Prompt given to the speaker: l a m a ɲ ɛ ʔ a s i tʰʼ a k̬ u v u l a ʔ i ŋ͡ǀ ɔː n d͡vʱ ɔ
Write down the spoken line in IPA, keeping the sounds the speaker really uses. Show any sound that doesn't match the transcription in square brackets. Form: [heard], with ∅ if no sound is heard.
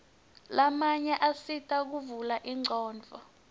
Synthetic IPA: l a m a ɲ ɛ ʔ a s i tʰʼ a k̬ u v u l a ʔ i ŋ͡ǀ ɔː n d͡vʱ ɔ